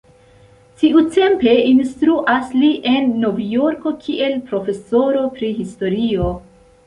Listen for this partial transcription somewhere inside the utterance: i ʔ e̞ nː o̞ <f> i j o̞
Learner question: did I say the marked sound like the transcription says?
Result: no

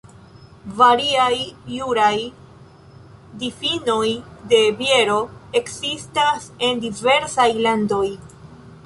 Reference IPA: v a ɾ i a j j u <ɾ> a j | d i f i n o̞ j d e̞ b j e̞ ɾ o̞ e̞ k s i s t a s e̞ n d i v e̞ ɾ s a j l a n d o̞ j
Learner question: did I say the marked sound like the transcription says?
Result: yes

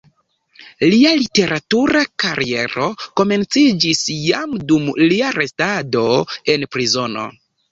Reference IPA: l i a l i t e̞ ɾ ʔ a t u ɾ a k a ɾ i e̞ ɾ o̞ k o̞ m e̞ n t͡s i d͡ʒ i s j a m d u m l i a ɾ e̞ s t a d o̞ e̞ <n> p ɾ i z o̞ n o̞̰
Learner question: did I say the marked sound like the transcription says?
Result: yes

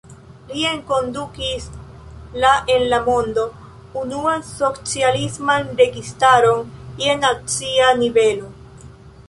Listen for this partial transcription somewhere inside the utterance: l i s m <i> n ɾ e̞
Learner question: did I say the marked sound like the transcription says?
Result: no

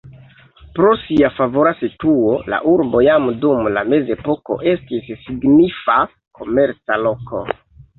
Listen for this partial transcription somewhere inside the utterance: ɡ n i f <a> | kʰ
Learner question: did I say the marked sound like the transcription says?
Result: yes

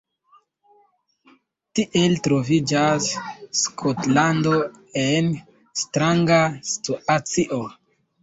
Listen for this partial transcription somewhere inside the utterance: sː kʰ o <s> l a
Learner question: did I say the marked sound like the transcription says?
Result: no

